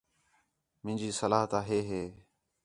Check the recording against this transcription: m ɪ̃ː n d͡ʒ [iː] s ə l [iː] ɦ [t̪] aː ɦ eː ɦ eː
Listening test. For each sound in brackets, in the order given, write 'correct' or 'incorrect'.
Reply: correct, incorrect: aː, correct

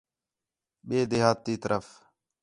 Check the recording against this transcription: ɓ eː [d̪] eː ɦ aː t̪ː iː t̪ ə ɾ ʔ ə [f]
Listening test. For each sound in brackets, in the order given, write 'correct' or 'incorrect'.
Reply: correct, correct

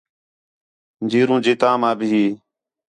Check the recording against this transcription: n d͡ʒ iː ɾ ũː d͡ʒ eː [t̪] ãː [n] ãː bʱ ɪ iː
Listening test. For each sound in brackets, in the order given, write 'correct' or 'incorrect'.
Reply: correct, incorrect: m

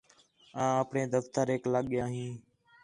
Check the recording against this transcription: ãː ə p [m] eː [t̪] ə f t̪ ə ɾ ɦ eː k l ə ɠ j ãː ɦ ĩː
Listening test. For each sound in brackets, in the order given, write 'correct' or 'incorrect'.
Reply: incorrect: ɳ, incorrect: d̪

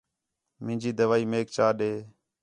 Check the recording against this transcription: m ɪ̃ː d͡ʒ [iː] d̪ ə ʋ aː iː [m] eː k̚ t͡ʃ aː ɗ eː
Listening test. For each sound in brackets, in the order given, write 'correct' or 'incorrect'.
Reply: correct, correct

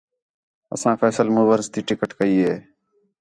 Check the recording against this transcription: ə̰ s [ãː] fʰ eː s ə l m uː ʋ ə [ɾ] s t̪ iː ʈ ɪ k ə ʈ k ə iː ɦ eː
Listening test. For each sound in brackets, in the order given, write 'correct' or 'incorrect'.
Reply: correct, correct

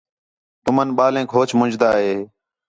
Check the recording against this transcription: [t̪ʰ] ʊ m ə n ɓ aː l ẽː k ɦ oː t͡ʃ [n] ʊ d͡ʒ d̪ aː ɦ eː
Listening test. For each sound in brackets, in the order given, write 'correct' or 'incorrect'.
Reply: incorrect: t̪, incorrect: m

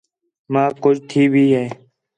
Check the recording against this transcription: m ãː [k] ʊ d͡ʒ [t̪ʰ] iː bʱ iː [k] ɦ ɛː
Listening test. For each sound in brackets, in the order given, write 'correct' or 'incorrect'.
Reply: correct, correct, incorrect: none

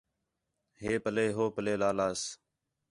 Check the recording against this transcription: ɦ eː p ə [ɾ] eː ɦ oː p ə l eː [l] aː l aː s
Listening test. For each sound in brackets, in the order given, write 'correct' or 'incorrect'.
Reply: incorrect: l, correct

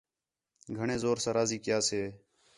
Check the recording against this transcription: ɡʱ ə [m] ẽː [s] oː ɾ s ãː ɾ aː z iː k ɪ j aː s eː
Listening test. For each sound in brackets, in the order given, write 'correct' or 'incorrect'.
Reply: incorrect: ɳ, incorrect: z

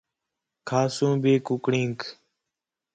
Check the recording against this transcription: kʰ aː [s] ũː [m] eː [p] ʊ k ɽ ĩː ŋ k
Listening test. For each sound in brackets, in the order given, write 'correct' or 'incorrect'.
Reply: correct, incorrect: b, incorrect: k

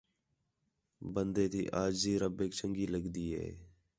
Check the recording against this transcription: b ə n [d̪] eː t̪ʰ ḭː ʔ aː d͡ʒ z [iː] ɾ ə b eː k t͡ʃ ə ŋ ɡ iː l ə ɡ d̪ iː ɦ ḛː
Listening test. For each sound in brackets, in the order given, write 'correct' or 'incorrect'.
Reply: correct, correct

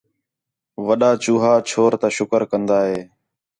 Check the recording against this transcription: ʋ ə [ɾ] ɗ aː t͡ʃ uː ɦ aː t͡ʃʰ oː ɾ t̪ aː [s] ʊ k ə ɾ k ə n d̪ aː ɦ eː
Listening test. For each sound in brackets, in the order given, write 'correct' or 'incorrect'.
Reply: incorrect: none, incorrect: ʃ

